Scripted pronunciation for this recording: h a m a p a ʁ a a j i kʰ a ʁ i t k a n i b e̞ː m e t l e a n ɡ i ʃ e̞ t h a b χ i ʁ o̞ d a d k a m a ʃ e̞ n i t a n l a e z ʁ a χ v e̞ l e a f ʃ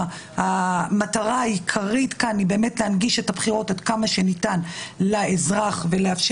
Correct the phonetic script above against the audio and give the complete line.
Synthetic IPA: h a m a t a ʁ a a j i kʰ a ʁ i t k a n i b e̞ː m e t l e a n ɡ i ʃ e̞ t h a b χ i ʁ o̞ t a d k a m a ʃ e̞ n i t a n l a e z ʁ a χ v e̞ l e a f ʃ

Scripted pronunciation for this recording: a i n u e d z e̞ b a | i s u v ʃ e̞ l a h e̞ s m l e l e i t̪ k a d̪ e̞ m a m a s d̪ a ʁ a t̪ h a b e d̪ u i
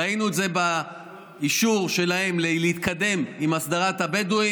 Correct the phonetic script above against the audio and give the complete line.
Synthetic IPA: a i n u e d z e̞ b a | i ʃ u ʁ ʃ e̞ l a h e̞ m l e l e i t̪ k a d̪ e̞ m i m a s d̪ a ʁ a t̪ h a b e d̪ u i

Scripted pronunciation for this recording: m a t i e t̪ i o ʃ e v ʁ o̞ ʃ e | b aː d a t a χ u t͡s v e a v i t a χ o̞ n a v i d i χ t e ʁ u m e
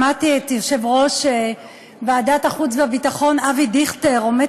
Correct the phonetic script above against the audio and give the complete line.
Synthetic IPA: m a t i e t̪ j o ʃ e v ʁ o̞ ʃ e | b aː d a t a χ u t͡s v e a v i t a χ o̞ n a v i d i χ t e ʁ o m e

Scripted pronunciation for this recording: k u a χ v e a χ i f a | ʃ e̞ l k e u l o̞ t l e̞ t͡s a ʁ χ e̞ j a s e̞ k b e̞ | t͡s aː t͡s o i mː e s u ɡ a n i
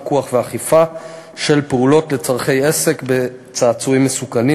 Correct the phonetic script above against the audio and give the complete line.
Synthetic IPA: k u a χ v e a χ i f a | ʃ e̞ l p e u l o̞ t l e̞ t͡s a ʁ χ e̞ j e s e̞ k b e̞ | t͡s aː t͡s u i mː e s u k a n i

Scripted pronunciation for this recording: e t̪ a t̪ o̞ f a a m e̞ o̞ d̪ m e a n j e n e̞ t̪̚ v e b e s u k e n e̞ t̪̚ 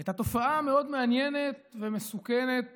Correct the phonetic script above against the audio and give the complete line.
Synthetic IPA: e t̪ a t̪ o̞ f a a m e̞ o̞ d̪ m e a n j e n e̞ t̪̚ v e m e s u k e n e̞ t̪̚

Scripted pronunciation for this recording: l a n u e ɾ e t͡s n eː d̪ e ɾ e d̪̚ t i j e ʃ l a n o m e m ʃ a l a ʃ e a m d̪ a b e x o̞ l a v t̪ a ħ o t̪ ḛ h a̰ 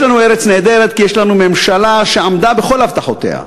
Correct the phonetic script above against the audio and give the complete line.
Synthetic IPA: l a n u e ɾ e t͡s n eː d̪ e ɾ e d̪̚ k i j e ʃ l a n u m e m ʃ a l a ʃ e a m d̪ a b e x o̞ l a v t̪ a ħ o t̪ ḛ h a̰

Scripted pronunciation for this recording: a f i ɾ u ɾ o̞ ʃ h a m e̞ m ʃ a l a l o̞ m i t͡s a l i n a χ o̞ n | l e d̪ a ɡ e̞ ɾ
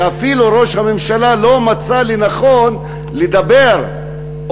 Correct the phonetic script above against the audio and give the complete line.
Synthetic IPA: a f i l u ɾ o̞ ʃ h a m e̞ m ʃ a l a l o̞ m a t͡s a l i n a χ o̞ n | l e d̪ a b e̞ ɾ

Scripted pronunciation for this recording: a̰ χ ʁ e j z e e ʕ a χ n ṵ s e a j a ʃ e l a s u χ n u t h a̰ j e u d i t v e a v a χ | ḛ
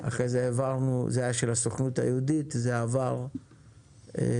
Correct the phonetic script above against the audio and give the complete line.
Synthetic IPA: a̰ χ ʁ e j z e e v a ʁ n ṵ z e a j a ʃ e l a s o χ n u t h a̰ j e u d i t z e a v a ʁ | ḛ

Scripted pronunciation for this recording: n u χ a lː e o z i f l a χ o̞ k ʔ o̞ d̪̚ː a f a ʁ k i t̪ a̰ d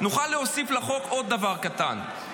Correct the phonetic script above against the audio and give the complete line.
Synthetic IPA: n u χ a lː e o s i f l a χ o̞ k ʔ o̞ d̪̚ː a v a ʁ k a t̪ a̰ n

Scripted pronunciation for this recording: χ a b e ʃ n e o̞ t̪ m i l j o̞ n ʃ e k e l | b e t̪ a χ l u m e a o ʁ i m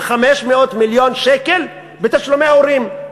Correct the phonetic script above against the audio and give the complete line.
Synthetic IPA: χ a m e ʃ m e o̞ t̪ m i l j o̞ n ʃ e k e l | b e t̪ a ʃ l o m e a o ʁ i m

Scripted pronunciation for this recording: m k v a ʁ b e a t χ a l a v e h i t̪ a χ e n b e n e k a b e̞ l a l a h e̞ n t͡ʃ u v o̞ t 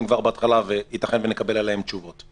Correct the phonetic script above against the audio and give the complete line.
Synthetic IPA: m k v a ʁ b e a t χ a l a v e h i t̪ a χ e n v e n e k a b e̞ l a l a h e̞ m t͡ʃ u v o̞ t

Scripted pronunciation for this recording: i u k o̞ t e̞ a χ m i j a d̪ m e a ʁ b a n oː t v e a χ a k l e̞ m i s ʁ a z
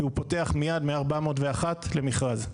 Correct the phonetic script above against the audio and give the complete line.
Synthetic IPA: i u p o̞ t e̞ a χ m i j a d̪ m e a ʁ b a m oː t v e a χ a t l e̞ m i χ ʁ a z

